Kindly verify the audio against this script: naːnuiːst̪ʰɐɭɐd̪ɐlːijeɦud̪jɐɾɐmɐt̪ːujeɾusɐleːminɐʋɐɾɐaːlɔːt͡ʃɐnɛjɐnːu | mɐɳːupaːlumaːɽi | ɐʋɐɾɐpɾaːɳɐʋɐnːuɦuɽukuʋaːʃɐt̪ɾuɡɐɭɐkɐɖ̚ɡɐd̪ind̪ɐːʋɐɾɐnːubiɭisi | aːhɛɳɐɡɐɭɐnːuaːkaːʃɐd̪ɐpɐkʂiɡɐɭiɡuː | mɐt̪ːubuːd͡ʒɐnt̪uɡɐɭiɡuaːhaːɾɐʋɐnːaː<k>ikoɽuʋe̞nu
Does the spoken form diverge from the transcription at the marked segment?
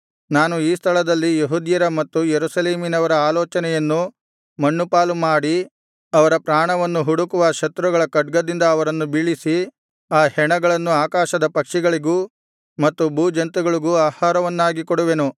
yes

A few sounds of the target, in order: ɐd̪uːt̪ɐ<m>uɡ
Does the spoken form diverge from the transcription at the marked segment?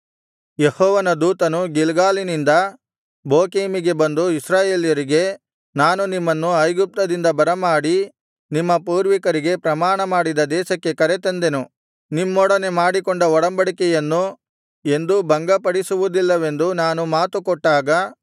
yes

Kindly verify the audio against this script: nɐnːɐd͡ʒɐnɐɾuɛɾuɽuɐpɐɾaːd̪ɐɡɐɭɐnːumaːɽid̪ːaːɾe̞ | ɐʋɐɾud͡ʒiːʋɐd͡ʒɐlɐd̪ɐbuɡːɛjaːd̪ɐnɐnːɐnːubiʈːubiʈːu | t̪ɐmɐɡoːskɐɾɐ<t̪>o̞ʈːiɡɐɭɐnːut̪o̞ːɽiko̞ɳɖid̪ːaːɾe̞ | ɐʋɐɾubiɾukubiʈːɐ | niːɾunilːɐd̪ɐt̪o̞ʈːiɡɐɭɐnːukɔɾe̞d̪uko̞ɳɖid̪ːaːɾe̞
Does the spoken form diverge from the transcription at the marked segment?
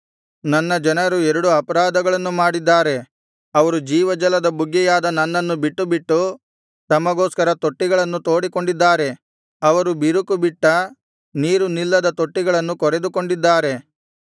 no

